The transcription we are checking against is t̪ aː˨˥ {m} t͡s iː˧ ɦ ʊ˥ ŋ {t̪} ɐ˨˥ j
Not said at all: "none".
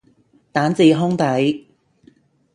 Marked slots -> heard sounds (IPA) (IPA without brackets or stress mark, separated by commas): n, t̪